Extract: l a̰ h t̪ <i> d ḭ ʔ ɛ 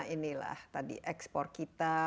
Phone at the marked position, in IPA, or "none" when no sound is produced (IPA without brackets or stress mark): a